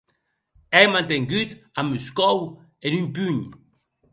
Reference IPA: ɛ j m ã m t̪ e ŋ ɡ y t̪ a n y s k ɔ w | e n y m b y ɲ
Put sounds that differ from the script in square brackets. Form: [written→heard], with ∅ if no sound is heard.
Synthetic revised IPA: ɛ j m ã [m→n] t̪ e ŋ ɡ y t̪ a [n→m] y s k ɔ w | e n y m [b→p] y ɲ